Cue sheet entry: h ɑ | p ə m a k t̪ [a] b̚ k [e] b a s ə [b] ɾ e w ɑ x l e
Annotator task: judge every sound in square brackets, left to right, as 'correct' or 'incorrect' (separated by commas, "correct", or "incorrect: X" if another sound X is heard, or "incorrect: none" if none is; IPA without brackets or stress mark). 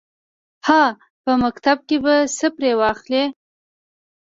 correct, correct, incorrect: p